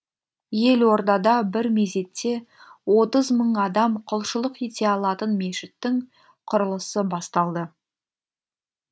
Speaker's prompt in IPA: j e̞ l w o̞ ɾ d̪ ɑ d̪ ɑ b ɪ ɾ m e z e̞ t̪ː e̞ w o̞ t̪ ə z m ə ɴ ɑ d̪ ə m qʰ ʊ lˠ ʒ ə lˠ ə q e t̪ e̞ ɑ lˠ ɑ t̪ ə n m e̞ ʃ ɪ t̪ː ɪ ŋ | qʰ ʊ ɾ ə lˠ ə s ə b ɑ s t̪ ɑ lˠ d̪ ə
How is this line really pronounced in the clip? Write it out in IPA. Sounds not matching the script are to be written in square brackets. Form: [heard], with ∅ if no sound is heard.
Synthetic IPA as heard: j e̞ l w o̞ ɾ d̪ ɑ d̪ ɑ b ɪ ɾ m e z e̞ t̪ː e̞ w o̞ t̪ ə z m ə ɴ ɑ d̪ [ɑ] m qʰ ʊ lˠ [ʃ] ə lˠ ə q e t̪ e̞ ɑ lˠ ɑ t̪ ə n m e̞ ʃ ɪ t̪ː ɪ ŋ | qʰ ʊ ɾ ə lˠ ə s ə b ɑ s t̪ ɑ lˠ d̪ ə